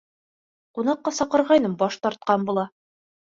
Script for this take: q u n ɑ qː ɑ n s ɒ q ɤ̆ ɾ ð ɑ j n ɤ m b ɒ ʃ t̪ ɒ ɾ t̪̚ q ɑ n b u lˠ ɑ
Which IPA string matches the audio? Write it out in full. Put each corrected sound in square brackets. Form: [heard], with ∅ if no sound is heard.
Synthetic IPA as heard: q u n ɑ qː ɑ [∅] s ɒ q ɤ̆ ɾ [ʁ] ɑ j n ɤ m b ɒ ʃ t̪ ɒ ɾ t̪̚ q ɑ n b u lˠ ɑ